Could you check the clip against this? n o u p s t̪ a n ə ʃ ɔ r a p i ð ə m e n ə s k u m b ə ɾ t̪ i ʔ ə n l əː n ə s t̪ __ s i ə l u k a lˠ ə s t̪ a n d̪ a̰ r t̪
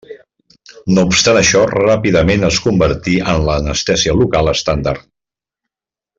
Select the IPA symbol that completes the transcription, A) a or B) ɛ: B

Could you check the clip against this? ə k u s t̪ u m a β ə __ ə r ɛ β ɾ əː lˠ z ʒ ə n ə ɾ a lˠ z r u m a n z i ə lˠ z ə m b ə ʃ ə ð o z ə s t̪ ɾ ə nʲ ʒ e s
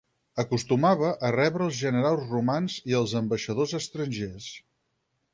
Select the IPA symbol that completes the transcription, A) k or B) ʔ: B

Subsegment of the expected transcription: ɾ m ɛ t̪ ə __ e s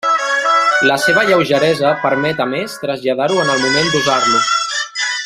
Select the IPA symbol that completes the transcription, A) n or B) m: B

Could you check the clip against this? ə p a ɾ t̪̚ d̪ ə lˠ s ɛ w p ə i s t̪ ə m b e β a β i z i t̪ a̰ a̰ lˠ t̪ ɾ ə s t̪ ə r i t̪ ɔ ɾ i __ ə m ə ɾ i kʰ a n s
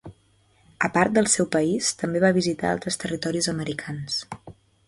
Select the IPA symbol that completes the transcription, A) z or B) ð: A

